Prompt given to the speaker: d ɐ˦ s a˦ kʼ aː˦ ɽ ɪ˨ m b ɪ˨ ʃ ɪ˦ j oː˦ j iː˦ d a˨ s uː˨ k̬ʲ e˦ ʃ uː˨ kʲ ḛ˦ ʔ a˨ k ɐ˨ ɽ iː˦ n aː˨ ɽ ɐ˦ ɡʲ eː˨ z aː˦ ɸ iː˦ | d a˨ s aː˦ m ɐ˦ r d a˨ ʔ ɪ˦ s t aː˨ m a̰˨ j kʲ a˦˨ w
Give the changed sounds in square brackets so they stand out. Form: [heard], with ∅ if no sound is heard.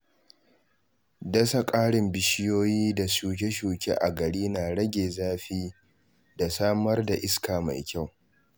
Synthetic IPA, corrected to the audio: d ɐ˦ s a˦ kʼ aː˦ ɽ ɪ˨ m b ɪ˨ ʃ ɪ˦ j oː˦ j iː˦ d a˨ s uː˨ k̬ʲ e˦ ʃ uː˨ kʲ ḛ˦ ʔ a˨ [ɡ] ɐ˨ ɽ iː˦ n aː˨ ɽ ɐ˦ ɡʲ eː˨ z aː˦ ɸ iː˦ | d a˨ s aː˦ m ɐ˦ r d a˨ ʔ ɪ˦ s [k] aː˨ m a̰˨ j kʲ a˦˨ w